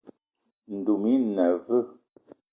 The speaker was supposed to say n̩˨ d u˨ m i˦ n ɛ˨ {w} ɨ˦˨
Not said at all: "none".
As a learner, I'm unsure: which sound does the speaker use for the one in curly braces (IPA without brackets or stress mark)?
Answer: v